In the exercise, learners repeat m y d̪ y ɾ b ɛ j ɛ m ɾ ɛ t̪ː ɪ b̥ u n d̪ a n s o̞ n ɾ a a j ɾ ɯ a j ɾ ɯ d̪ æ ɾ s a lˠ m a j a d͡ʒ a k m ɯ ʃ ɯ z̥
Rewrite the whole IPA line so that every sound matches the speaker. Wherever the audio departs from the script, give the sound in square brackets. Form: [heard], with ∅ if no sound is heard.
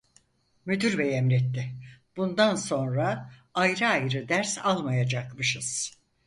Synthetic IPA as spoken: m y d̪ y ɾ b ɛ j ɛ m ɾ ɛ t̪ː ɪ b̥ u n d̪ a n s o̞ n ɾ a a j ɾ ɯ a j ɾ ɯ d̪ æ ɾ s a lˠ m a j a d͡ʒ a k m ɯ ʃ ɯ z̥